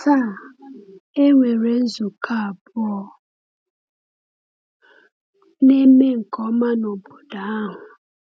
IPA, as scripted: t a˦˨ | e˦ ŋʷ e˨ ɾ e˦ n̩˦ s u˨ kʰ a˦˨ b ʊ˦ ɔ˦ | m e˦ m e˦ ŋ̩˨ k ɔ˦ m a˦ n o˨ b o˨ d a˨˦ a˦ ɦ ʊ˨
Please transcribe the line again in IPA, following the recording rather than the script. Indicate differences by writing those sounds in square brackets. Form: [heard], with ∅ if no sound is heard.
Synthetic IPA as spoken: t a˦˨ | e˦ ŋʷ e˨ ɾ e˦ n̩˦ [z] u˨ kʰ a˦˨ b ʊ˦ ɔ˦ | [n] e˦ m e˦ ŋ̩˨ k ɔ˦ m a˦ n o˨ b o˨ d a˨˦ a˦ ɦ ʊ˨